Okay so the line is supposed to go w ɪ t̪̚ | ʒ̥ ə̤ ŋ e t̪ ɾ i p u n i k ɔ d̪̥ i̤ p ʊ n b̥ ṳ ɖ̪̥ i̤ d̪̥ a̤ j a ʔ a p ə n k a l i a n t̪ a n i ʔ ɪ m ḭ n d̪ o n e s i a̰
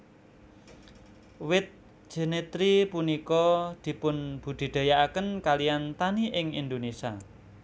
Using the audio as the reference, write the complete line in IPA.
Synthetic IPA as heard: w ɪ t̪̚ | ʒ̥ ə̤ n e t̪ ɾ i p u n i k ɔ d̪̥ i̤ p ʊ n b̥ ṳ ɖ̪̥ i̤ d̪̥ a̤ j a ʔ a k ə n k a l i a n t̪ a n i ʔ ɪ ŋ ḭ n d̪ o n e s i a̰